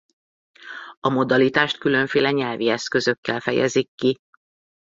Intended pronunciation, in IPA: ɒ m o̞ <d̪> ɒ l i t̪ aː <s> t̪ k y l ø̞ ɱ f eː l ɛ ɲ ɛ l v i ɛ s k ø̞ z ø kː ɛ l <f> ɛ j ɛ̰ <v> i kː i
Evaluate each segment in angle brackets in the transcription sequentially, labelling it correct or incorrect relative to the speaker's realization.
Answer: correct, incorrect: ʃ, correct, incorrect: z

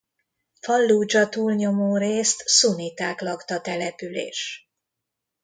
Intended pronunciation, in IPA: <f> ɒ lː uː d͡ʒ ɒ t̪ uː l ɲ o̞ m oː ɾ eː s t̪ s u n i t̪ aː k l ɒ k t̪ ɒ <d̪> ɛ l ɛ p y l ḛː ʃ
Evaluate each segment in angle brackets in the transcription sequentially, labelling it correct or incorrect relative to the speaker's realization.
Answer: correct, incorrect: t̪

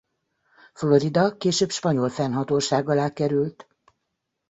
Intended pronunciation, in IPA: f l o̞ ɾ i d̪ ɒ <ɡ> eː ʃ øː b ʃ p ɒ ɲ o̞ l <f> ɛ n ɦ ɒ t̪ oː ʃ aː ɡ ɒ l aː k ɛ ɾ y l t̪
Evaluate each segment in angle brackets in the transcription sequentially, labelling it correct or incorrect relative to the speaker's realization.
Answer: incorrect: k, correct

